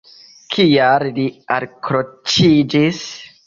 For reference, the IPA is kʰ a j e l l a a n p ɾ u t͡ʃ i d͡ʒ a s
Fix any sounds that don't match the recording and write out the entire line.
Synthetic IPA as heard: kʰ i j a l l i a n k ɾ o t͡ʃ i d͡ʒ i s